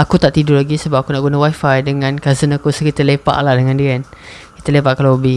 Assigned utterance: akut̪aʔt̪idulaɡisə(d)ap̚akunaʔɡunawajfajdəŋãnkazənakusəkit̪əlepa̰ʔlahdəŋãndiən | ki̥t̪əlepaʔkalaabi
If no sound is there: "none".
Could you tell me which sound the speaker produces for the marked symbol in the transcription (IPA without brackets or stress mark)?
b